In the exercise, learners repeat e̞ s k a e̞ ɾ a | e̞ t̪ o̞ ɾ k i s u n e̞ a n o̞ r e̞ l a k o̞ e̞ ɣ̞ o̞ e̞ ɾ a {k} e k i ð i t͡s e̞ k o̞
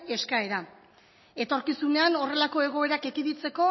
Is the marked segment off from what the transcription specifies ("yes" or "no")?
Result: no